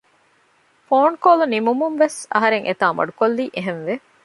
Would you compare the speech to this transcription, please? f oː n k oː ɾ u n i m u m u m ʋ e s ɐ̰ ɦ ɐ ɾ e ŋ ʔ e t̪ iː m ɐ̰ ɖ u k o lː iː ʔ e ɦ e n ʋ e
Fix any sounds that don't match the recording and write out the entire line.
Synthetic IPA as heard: f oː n k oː l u n i m u m u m ʋ e s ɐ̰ ɦ ɐ ɾ e ŋ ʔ e t̪ aː m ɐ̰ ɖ u k o lː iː ʔ e ɦ e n ʋ e